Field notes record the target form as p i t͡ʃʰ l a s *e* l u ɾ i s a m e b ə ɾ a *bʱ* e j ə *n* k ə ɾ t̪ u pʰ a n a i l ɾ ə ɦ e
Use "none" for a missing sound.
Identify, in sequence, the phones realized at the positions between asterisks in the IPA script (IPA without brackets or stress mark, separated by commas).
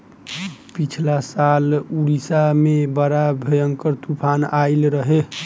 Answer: a, bʱ, ŋ